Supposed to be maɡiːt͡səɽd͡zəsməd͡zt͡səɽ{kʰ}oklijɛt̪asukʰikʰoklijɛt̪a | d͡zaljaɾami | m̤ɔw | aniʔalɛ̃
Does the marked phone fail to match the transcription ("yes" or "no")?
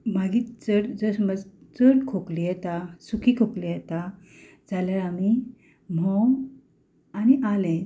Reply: no